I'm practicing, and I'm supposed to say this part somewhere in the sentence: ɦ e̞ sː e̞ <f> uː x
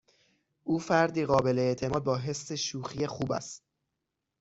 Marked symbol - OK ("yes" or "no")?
no